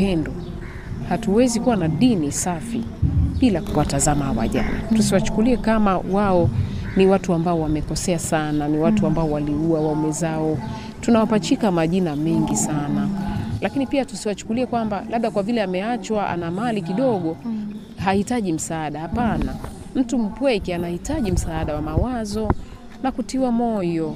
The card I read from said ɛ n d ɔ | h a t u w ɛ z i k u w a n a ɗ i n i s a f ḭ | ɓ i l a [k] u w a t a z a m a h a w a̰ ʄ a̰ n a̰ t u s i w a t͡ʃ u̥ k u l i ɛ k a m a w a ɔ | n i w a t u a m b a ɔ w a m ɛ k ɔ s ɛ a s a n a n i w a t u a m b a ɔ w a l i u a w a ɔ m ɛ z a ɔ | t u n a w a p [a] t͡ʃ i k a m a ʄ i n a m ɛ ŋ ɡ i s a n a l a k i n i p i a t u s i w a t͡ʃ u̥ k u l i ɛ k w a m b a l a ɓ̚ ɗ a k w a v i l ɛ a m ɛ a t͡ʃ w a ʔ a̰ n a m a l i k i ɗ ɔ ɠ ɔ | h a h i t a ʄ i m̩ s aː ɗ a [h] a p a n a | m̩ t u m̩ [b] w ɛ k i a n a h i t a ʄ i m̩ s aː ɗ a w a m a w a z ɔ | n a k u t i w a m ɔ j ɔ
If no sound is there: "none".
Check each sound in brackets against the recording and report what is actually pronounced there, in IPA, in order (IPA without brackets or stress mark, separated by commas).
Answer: k, a, h, p